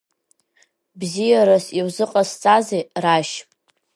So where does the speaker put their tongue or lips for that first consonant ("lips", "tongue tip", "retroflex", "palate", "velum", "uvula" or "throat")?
lips